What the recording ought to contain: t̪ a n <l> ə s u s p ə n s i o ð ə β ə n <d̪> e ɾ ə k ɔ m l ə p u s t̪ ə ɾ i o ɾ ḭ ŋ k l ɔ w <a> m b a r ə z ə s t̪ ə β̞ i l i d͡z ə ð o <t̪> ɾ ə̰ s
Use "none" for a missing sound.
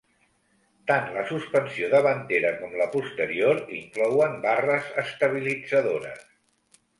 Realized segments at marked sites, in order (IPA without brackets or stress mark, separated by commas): l, t̪, ə, none